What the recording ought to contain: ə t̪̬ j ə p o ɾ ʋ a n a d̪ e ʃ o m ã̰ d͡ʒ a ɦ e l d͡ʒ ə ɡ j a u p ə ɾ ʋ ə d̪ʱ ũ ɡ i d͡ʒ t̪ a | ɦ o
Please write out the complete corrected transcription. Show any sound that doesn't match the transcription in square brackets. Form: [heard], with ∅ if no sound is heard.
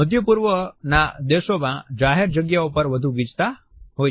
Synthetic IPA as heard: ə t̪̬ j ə p [u] ɾ ʋ [ə] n a d̪ e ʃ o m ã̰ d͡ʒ a ɦ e [ɾ] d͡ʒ ə ɡ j a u p ə ɾ ʋ ə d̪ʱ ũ ɡ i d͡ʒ t̪ a | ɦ o